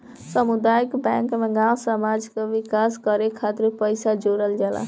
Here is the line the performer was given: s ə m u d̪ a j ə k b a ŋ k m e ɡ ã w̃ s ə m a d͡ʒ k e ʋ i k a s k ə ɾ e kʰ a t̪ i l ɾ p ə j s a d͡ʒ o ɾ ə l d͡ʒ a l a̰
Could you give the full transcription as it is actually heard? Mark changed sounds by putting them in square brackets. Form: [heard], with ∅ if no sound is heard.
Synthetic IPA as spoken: s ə m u d̪ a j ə k b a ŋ k m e ɡ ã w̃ s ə m a d͡ʒ k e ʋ i k a s k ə ɾ e kʰ a t̪ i [∅] ɾ p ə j s a d͡ʒ o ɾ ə l d͡ʒ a l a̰

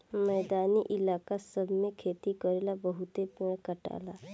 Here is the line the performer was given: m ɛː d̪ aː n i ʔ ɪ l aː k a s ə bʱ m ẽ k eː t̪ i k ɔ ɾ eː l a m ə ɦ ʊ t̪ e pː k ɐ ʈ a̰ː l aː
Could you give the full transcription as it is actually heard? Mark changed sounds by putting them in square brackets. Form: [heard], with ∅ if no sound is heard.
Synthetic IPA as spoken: m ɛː d̪ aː n i ʔ ɪ l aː k a s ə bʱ m ẽ [kʰ] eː t̪ i k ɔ ɾ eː l a [b] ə ɦ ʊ t̪ e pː k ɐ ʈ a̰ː l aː

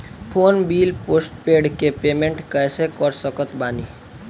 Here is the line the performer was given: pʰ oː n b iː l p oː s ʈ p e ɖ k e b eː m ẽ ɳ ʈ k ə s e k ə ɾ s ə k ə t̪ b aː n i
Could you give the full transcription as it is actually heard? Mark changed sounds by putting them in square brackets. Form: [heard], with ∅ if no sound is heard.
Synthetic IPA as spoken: pʰ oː n b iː l p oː s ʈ p e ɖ k e [p] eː m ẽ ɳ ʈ k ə s e k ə ɾ s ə k ə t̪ b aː n i

